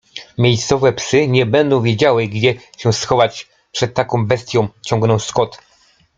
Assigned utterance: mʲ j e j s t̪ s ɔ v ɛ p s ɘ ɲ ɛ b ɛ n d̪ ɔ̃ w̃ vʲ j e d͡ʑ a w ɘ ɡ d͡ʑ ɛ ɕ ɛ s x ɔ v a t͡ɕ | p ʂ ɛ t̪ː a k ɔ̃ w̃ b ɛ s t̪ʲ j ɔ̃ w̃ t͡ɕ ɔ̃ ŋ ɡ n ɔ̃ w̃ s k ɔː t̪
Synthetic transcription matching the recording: mʲ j e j s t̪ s ɔ v ɛ p s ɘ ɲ ɛ b ɛ n d̪ ɔ̃ w̃ vʲ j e d͡ʑ a w ɘ ɡ d͡ʑ ɛ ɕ ɛ s x ɔ v a t͡ɕ | p ʂ ɛ t̪ː a k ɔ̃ w̃ b ɛ s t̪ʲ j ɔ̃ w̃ t͡ɕ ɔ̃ ŋ ɡ n ɔ̃ w̃ s k ɔ t̪